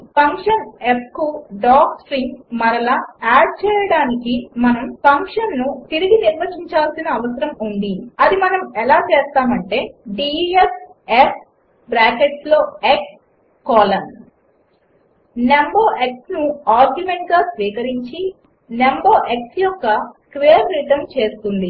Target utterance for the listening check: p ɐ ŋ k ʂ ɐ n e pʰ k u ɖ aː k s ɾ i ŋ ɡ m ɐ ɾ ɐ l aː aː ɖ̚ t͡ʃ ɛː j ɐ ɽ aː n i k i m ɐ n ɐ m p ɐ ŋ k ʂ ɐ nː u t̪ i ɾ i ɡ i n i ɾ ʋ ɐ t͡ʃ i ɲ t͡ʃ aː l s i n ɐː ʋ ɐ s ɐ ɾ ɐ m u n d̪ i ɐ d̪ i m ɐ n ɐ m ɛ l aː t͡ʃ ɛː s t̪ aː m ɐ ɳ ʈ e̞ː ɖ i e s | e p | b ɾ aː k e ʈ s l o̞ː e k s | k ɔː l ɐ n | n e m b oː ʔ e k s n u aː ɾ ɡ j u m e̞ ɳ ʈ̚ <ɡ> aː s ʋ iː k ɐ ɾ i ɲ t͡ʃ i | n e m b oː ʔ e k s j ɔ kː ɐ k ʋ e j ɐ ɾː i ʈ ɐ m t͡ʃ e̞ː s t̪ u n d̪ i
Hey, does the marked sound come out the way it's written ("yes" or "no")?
yes